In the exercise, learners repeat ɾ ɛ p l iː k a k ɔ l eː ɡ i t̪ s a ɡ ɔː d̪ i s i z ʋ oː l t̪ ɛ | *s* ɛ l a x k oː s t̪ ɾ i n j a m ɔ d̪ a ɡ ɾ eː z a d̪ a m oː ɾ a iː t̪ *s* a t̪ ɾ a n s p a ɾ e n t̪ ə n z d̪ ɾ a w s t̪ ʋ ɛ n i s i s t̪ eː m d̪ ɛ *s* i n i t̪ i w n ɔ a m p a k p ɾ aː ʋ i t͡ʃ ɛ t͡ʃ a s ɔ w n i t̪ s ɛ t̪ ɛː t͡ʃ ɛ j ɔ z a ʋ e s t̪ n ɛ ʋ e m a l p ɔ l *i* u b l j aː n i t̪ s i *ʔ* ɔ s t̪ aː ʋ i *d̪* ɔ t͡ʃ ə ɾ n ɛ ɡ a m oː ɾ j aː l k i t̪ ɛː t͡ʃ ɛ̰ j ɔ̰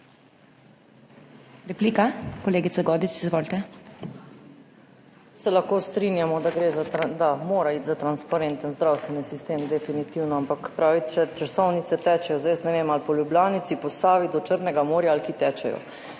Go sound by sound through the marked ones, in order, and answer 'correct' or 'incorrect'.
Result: correct, incorrect: z, incorrect: f, incorrect: j, incorrect: p, correct

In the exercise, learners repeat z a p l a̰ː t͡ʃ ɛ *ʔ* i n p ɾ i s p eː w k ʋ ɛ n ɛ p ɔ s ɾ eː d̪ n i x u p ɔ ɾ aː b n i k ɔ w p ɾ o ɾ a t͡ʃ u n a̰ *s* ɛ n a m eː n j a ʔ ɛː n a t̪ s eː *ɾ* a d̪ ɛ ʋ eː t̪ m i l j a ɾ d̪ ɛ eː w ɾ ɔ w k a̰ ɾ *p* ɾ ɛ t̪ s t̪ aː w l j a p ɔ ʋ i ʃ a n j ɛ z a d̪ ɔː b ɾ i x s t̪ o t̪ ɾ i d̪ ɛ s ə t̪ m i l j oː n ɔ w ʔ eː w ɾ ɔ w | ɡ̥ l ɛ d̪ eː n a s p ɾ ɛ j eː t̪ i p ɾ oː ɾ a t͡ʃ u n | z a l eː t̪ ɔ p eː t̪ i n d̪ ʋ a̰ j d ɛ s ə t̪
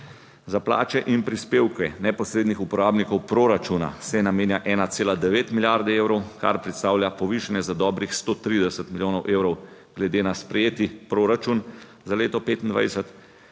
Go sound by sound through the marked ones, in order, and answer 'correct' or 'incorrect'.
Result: correct, correct, incorrect: l, correct

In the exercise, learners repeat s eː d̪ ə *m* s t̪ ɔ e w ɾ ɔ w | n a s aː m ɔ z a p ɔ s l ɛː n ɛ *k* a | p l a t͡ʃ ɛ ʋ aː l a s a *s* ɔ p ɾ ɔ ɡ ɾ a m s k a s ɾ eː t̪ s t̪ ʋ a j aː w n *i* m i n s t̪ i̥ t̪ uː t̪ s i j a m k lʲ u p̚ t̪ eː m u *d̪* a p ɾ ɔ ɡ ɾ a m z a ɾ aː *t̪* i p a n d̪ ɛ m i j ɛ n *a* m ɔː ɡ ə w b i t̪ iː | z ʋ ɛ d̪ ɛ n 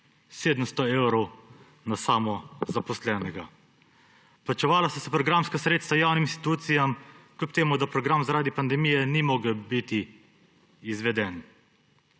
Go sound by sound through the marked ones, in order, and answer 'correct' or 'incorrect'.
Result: correct, incorrect: ɡ, correct, correct, correct, incorrect: d̪, incorrect: i

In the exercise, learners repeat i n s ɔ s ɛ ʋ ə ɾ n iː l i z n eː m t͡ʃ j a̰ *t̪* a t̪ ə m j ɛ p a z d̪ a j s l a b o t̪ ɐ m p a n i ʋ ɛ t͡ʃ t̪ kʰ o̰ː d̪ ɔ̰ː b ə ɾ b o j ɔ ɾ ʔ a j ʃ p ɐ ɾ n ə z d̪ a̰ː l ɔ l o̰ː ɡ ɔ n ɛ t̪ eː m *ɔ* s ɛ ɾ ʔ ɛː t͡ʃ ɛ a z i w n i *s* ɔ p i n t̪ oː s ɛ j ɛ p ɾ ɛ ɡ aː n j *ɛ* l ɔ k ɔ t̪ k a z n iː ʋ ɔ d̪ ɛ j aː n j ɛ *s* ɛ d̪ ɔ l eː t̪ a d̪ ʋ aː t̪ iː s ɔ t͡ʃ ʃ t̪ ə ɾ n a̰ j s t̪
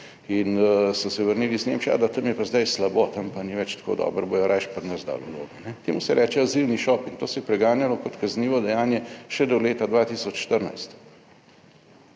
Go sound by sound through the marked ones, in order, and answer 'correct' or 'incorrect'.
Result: incorrect: d̪, incorrect: u, incorrect: ʃ, incorrect: a, incorrect: ʃ

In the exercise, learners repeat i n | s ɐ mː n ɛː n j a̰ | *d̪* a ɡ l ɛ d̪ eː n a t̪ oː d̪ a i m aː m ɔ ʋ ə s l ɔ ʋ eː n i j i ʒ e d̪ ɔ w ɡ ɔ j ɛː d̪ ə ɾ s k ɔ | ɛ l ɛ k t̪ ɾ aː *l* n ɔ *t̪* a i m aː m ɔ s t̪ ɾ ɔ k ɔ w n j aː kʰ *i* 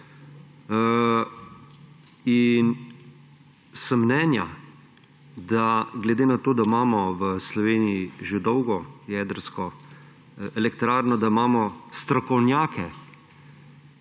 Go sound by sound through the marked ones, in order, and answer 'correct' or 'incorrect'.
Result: correct, incorrect: ɾ, incorrect: d̪, incorrect: ɛ

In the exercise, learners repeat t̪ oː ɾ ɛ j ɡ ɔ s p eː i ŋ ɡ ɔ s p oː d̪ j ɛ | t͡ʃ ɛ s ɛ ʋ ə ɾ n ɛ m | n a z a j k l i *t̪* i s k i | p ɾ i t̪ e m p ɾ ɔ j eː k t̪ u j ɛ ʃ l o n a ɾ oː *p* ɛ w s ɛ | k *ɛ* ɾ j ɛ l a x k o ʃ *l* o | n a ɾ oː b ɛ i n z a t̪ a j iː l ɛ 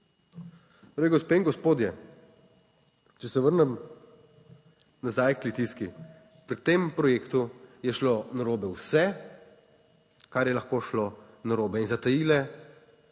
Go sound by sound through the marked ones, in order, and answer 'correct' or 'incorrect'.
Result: correct, incorrect: b, incorrect: a, correct

